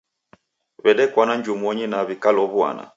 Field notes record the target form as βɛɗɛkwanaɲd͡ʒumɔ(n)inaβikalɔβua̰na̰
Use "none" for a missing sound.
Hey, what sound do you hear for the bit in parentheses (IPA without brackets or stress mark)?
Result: ɲ